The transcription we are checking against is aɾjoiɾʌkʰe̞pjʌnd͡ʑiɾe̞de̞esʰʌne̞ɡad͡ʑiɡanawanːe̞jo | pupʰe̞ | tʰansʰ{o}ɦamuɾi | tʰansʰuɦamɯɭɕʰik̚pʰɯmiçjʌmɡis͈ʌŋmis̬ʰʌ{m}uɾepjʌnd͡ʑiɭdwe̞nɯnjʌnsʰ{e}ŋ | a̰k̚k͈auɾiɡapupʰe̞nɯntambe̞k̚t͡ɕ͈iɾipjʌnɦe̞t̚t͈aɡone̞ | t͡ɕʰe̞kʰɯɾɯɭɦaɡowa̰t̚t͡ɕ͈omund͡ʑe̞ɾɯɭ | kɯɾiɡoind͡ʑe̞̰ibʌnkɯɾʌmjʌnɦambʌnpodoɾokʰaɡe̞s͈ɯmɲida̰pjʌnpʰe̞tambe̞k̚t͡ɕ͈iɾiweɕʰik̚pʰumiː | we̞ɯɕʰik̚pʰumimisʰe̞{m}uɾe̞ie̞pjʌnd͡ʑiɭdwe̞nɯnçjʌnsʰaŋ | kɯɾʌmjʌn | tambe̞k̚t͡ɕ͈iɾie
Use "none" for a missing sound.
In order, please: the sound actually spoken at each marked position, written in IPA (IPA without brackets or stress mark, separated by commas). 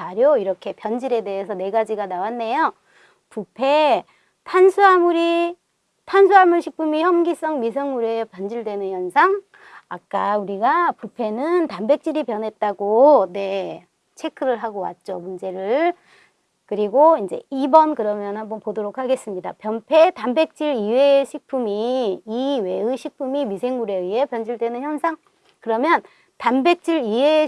u, ŋ, a, ŋ